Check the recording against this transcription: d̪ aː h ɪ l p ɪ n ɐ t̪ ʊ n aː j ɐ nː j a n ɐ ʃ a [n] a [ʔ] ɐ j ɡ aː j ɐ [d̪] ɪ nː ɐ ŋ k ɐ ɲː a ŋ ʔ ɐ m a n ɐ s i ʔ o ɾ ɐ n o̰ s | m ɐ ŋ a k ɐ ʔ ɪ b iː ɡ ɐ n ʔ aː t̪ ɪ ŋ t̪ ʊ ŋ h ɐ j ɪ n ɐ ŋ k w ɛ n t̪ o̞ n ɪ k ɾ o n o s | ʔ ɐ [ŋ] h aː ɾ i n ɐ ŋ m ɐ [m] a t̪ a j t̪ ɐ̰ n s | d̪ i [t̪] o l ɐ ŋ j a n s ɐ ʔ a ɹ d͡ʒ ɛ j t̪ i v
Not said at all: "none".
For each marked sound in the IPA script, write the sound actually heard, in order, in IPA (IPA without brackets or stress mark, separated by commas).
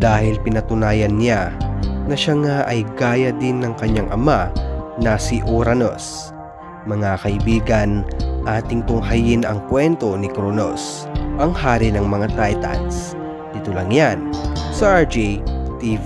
ŋ, ʔ, d̪, ŋ, ŋ, t̪